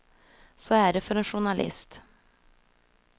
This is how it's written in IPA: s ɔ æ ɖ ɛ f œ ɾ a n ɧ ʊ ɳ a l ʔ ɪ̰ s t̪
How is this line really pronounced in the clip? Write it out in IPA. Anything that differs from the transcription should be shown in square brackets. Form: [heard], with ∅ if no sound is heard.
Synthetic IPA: s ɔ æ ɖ ɛ f œ ɾ [ɛ] n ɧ ʊ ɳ a l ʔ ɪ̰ s t̪